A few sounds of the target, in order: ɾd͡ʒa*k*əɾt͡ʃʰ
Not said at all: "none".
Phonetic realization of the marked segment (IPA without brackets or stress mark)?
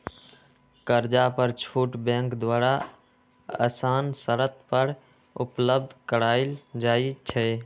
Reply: p